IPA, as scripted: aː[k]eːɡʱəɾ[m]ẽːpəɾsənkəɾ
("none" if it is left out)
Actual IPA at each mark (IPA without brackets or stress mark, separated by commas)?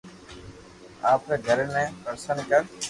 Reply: p, n